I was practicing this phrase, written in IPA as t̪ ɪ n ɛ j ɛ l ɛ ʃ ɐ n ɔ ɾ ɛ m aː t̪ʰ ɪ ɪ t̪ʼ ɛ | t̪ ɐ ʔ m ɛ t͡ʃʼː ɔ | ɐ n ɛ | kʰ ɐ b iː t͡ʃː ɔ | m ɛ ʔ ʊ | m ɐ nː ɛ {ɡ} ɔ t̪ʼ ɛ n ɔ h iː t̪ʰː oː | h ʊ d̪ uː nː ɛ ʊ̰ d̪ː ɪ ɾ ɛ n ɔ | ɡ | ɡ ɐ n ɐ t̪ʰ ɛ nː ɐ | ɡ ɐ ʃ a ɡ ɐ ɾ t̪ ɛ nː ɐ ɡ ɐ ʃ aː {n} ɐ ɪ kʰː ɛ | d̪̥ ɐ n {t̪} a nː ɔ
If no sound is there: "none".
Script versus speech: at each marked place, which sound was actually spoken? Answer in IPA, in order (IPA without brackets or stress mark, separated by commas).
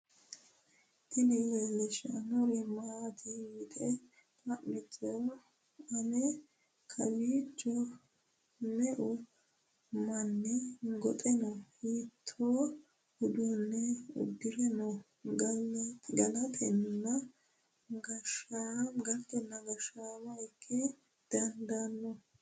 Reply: ɡ, m, d̪